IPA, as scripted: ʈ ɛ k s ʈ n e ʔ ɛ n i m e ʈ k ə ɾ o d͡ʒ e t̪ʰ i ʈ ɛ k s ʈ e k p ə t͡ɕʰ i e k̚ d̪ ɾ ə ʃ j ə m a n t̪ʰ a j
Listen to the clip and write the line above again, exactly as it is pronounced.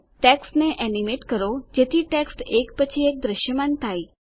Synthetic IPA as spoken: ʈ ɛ k s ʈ n e ʔ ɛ n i m e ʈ k ə ɾ o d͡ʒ e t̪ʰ i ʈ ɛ k s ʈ e k p ə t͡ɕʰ i e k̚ d̪ ɾ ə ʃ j ə m a n t̪ʰ a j